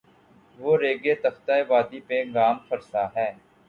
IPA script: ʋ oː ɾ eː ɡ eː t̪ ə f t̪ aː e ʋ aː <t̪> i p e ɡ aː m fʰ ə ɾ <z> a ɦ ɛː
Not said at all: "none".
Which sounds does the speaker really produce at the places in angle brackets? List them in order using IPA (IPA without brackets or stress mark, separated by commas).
d̪, s